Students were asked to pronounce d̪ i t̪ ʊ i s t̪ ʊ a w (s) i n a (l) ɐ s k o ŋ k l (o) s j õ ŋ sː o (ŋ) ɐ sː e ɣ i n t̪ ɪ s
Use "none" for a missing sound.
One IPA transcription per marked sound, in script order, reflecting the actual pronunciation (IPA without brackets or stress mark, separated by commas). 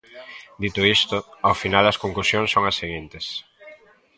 f, l, u, ŋ